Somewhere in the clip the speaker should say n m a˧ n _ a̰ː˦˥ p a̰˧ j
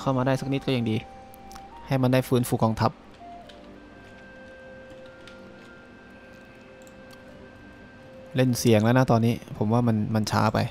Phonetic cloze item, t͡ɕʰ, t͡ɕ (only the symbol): t͡ɕʰ